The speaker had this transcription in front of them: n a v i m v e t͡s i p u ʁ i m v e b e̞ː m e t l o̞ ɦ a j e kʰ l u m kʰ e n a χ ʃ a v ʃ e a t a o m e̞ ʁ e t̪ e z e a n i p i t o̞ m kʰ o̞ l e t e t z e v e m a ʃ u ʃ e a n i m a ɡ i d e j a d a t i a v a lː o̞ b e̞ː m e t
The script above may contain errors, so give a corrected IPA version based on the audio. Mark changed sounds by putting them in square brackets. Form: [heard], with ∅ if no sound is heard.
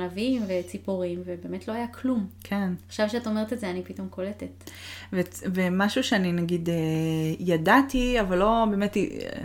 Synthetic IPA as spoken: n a v i m v e t͡s i p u ʁ i m v e b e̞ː m e t l o̞ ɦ a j [a] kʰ l u m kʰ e n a χ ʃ a v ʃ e a t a o m e̞ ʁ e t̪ e z e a n i p i t o̞ m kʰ o̞ l e t e t [v] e v e m a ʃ u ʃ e a n i [n] a ɡ i d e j a d a t i a v a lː o̞ b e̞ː m e t